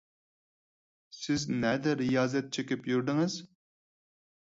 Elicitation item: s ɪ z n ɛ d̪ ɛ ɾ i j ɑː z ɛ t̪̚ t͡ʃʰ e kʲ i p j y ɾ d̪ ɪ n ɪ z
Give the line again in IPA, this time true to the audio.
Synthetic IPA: s ɪ z n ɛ d̪ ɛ ɾ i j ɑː z ɛ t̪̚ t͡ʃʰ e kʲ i p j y ɾ d̪ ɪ ŋ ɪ z